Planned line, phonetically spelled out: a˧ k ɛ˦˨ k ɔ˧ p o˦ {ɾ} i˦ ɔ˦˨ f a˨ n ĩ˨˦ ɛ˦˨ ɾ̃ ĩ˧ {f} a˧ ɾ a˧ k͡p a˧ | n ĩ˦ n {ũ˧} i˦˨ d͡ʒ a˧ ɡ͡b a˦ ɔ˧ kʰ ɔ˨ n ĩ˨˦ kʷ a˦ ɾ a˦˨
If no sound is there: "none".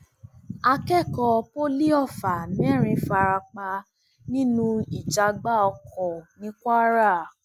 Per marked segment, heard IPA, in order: l, f, ũ˧

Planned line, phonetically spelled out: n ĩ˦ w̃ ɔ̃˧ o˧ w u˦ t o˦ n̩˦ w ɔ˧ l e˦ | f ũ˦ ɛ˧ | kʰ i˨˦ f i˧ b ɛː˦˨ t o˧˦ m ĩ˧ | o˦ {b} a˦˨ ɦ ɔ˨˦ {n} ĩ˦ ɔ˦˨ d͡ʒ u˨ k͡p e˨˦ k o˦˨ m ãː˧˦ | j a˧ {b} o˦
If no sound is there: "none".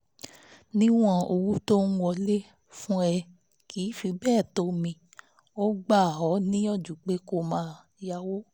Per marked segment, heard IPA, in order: ɡ͡b, n, w

